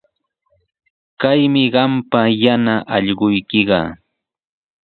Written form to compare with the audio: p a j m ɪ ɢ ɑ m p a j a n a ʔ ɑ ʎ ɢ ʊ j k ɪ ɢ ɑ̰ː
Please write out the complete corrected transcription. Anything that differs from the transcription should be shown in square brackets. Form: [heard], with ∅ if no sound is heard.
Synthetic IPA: [k] a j m ɪ ɢ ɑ m p a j a n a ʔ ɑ ʎ ɢ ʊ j k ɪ ɢ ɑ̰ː